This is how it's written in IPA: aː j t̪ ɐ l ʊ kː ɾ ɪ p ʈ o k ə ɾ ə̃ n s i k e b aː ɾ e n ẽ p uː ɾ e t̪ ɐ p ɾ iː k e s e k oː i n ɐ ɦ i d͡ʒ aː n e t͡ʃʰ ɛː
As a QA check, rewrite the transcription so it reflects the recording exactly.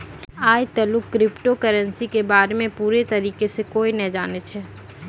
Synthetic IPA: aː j t̪ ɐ l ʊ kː ɾ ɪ p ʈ o k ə ɾ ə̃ n s i k e b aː ɾ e m ẽ p uː ɾ e t̪ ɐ ɾ iː k e s e k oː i n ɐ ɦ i d͡ʒ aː n e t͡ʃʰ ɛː